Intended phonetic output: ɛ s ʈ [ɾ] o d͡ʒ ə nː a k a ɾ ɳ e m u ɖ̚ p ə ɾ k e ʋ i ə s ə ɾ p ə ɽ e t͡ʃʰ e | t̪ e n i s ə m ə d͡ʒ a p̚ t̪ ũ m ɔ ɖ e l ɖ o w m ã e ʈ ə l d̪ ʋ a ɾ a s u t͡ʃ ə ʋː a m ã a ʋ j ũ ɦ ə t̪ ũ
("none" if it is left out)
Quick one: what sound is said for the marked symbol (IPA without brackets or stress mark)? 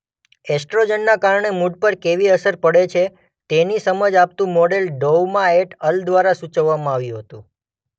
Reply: ɾ